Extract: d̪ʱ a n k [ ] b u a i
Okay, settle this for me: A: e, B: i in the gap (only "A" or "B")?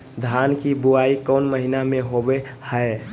B